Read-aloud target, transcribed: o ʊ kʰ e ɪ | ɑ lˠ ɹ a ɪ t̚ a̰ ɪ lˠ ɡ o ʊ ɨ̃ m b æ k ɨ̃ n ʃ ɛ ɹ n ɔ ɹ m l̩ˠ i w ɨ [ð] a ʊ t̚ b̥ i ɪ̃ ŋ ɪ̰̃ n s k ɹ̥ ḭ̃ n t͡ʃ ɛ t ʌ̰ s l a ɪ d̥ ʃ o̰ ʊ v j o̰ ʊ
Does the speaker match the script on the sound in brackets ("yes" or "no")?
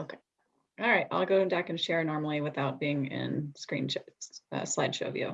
no